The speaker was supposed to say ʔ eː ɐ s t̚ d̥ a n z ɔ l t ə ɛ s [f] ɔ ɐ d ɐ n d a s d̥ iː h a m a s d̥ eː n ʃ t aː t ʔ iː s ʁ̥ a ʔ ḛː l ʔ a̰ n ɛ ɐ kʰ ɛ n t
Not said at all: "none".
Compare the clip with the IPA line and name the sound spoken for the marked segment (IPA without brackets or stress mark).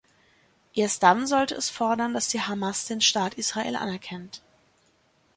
f